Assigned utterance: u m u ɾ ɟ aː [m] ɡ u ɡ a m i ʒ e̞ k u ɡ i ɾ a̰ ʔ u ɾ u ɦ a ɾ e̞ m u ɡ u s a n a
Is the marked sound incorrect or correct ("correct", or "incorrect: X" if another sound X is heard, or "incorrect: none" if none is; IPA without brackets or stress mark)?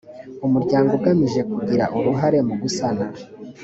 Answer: incorrect: ŋ